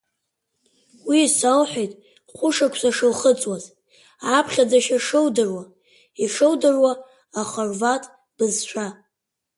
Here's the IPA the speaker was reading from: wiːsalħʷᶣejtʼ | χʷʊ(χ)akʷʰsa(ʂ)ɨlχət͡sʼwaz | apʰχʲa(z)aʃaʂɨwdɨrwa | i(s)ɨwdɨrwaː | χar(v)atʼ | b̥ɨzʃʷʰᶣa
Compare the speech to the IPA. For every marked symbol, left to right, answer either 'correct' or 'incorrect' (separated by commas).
incorrect, correct, incorrect, incorrect, correct